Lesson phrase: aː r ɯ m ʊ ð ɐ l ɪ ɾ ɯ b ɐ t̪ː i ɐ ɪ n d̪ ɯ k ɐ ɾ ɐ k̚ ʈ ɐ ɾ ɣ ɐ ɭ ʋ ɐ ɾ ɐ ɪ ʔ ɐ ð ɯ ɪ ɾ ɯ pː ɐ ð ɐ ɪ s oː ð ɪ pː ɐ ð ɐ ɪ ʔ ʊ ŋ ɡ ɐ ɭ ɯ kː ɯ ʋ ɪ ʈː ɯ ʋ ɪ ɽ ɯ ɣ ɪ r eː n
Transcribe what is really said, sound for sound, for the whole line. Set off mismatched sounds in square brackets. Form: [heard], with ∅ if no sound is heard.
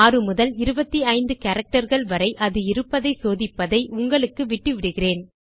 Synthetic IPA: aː r ɯ m ʊ ð ɐ l ɪ ɾ ɯ b ɐ t̪ː i ɐ ɪ n d̪ ɯ k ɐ ɾ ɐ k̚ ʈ ɐ ɾ ɣ ɐ ɭ ʋ ɐ ɾ ɐ ɪ ʔ ɐ ð ɯ ɪ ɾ ɯ pː ɐ ð ɐ ɪ s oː ð ɪ pː ɐ ð ɐ ɪ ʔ ʊ ŋ ɡ ɐ ɭ ɯ kː ɯ ʋ ɪ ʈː ɯ ʋ ɪ ɽ ɯ ɣ ɪ r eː n